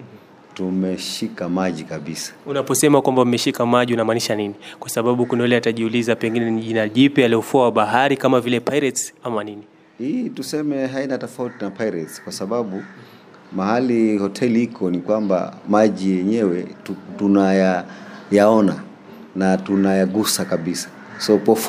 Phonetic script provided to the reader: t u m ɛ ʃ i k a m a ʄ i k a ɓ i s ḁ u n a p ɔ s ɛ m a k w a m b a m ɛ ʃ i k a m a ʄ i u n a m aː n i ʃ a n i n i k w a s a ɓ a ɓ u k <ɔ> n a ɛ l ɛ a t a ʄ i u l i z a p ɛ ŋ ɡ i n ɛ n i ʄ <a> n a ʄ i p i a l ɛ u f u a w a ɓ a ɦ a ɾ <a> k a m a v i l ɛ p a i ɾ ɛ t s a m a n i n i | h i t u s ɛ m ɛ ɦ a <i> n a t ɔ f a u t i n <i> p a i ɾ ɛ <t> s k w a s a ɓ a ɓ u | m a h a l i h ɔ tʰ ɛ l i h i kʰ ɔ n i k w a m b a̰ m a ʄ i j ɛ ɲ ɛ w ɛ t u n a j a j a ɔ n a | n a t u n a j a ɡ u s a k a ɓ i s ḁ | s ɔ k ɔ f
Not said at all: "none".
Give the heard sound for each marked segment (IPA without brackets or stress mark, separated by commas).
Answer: u, i, i, i, a, t